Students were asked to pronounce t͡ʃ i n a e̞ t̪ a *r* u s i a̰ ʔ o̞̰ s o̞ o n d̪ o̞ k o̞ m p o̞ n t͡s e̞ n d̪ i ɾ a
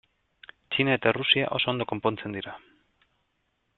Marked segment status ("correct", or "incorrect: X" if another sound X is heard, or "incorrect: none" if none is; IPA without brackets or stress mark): correct